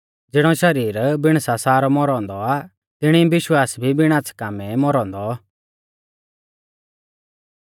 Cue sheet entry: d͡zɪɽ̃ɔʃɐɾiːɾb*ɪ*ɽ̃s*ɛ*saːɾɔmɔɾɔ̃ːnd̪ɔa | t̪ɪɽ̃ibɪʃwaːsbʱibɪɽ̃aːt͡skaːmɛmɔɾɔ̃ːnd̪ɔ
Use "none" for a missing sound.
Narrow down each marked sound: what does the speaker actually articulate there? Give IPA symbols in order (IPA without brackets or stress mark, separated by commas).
ɪ, a